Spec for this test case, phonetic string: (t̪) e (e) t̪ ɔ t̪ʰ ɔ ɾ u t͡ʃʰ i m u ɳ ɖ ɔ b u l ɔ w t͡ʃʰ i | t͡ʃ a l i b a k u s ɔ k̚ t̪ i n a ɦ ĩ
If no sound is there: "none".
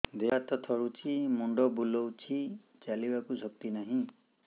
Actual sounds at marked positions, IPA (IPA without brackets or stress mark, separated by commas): d̪, a